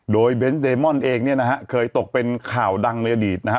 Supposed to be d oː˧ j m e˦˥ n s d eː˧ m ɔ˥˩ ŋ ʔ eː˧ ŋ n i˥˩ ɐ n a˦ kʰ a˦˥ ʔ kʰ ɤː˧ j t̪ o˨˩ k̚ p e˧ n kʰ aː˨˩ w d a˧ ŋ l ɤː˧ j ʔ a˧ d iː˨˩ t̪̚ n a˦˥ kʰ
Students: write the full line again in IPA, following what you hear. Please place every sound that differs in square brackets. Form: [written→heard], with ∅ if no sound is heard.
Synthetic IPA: d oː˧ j [m→b] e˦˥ n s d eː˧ m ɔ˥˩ [ŋ→n] ʔ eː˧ ŋ n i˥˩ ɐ n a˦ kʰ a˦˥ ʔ kʰ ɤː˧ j t̪ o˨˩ k̚ p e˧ n kʰ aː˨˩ w d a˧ ŋ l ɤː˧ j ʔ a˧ d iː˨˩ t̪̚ n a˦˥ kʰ